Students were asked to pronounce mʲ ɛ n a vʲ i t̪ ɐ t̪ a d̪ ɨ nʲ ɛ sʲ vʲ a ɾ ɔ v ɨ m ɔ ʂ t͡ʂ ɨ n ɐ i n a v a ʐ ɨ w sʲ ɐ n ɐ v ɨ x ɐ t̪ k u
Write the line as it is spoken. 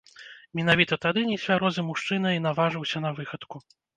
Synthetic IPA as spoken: mʲ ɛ n a vʲ i t̪ ɐ t̪ a d̪ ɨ nʲ ɛ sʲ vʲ a ɾ ɔ z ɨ m u ʂ t͡ʂ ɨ n ɐ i n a v a ʐ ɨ w sʲ ɐ n ɐ v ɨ x ɐ t̪ k u